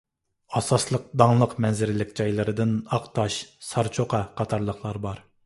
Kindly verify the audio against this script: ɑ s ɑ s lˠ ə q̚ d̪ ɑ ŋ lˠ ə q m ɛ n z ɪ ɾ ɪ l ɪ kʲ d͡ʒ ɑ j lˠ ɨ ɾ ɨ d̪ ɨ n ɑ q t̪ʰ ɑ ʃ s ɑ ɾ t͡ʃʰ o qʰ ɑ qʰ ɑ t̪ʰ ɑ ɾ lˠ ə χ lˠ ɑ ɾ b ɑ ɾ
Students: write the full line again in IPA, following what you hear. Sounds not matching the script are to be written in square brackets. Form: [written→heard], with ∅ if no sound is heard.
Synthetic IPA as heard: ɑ s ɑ s lˠ ə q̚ d̪ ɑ ŋ lˠ ə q m ɛ n z ɪ ɾ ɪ l ɪ kʲ d͡ʒ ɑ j lˠ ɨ ɾ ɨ d̪ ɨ n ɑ q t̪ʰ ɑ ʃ s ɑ ɾ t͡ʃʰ o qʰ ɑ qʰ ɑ t̪ʰ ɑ ɾ lˠ ə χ lˠ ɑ ɾ b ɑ ɾ